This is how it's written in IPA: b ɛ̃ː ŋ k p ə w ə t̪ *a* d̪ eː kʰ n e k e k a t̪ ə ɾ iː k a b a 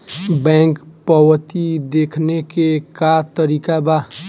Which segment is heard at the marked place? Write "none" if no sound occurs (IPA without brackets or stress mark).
i